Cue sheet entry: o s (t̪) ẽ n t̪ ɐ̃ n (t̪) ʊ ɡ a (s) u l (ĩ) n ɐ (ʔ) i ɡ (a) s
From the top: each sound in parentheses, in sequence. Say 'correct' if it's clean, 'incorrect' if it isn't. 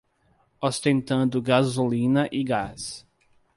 correct, incorrect, incorrect, correct, correct, correct

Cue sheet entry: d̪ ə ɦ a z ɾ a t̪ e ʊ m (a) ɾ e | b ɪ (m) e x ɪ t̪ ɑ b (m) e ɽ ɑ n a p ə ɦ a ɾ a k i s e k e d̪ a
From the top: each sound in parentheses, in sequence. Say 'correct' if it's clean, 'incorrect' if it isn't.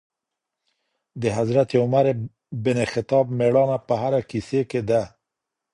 correct, incorrect, correct

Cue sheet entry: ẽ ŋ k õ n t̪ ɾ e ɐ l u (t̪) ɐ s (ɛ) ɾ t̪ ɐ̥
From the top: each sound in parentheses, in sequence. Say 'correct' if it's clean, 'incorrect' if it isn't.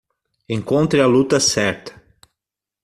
correct, correct

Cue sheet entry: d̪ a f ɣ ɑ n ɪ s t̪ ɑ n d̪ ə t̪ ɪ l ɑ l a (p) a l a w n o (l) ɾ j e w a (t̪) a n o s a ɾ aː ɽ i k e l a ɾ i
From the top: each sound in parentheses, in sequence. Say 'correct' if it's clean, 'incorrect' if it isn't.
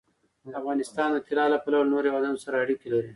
correct, incorrect, incorrect

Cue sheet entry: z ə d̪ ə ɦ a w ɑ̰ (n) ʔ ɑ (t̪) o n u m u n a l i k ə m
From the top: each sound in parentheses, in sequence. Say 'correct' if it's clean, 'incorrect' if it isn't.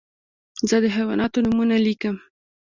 correct, correct

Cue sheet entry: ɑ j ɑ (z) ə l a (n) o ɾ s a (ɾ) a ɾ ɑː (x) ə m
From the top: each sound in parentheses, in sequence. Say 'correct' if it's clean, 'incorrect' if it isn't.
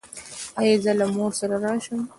correct, incorrect, correct, incorrect

